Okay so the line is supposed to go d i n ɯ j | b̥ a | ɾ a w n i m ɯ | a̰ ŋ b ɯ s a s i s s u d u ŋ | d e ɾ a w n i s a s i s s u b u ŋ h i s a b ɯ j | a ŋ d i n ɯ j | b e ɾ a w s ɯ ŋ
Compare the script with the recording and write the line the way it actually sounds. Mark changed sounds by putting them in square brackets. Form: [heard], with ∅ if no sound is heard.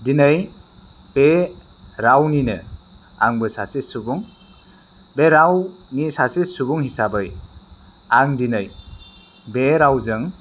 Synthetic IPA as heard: d i n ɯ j | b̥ [e] | ɾ a w n i [n] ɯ | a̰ ŋ b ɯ s a s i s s u [b] u ŋ | [b] e ɾ a w n i s a s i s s u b u ŋ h i s a b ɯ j | a ŋ d i n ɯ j | b e ɾ a w [z] ɯ ŋ